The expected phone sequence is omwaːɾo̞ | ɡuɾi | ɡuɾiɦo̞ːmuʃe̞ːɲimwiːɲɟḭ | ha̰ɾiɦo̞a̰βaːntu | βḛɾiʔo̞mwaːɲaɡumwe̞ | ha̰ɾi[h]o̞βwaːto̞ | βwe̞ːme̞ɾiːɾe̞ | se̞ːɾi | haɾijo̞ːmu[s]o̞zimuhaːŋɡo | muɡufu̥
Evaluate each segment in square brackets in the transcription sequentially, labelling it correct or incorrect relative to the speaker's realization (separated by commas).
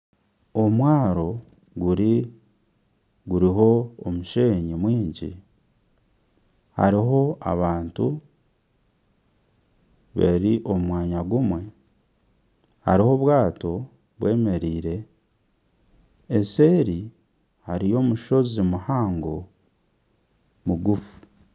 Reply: correct, incorrect